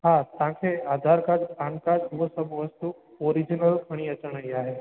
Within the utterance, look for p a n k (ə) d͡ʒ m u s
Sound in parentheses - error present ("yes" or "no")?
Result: yes